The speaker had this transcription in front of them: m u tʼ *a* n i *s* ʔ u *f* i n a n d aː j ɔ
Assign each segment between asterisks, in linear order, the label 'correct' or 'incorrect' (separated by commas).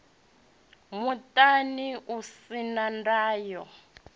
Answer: correct, incorrect, incorrect